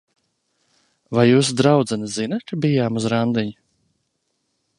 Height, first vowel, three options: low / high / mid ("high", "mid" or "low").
low